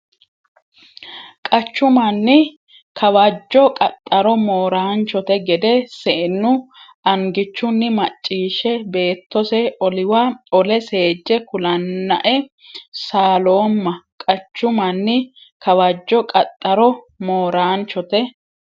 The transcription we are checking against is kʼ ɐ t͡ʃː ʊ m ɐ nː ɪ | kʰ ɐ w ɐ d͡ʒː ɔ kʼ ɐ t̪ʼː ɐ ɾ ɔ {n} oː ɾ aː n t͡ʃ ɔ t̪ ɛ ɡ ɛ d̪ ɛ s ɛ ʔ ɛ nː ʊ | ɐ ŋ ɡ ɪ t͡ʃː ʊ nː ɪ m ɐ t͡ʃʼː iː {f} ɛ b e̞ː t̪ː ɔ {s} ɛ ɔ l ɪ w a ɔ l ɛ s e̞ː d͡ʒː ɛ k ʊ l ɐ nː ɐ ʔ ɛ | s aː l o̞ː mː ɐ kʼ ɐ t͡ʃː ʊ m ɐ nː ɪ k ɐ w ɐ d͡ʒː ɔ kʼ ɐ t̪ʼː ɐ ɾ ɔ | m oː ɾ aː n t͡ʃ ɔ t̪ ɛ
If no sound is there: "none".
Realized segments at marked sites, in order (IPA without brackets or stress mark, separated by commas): m, ʃ, s